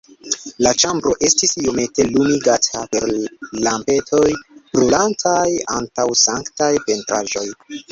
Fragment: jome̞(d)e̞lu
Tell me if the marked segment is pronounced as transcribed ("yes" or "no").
no